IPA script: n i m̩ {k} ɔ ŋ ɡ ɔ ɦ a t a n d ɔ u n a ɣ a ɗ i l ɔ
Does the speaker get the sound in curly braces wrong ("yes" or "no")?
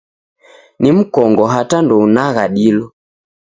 no